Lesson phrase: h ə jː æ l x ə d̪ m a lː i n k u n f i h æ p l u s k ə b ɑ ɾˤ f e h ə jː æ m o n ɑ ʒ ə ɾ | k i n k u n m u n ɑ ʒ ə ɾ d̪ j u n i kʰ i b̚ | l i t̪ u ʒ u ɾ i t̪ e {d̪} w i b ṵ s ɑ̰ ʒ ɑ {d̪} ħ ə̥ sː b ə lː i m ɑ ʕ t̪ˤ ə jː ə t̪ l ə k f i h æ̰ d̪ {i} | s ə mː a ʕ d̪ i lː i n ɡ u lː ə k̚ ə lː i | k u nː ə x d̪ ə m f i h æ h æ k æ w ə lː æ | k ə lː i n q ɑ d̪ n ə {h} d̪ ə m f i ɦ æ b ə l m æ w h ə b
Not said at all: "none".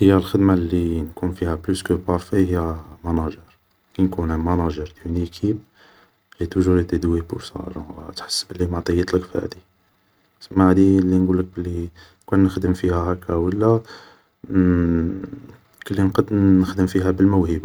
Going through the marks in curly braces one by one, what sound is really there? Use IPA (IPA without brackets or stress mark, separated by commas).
d̪, t̪, i, x